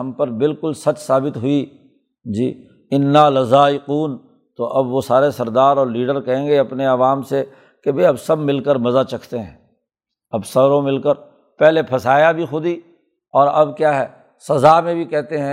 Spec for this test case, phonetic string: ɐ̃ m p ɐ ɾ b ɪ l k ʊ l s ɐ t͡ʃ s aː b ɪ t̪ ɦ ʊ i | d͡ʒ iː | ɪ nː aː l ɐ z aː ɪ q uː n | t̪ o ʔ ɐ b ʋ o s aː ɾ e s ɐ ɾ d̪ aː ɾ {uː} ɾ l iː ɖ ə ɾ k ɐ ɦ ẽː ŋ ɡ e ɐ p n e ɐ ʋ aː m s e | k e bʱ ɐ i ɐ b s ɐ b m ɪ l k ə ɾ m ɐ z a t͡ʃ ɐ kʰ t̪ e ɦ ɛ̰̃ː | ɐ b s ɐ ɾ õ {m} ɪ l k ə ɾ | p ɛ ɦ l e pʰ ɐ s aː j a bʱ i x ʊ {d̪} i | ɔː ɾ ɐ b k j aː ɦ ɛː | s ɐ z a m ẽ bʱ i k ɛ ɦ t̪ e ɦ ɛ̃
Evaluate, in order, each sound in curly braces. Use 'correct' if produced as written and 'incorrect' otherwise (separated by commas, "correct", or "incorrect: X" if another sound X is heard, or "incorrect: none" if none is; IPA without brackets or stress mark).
incorrect: ɔː, correct, correct